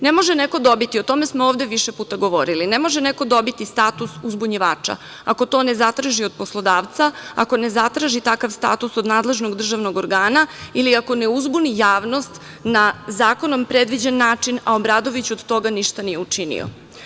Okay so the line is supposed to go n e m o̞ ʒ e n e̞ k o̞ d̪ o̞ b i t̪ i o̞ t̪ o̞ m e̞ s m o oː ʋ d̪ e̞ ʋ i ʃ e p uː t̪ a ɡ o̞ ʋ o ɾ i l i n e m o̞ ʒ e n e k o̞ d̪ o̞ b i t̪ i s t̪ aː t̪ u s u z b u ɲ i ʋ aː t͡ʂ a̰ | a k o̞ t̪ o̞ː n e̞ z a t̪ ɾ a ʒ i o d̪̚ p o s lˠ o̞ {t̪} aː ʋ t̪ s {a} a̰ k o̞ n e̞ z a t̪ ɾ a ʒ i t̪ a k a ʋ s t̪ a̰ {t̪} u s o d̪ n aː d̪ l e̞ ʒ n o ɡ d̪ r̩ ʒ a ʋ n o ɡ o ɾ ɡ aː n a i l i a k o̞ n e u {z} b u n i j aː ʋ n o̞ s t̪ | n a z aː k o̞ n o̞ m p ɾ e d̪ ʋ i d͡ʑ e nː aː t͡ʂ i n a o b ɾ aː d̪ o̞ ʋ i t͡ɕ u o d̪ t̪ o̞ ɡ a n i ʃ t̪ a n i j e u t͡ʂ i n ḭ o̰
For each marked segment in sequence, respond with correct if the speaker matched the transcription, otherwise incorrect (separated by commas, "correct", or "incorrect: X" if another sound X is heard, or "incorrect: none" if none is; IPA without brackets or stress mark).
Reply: incorrect: d̪, correct, correct, correct